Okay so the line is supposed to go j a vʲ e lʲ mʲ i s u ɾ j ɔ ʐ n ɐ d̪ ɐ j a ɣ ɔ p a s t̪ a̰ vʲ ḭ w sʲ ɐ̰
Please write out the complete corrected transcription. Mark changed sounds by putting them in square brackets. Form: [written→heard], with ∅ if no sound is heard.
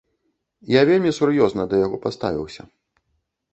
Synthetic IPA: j a vʲ e lʲ mʲ i s u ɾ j ɔ [ʐ→z] n ɐ d̪ ɐ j a ɣ ɔ p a s t̪ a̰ vʲ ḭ w sʲ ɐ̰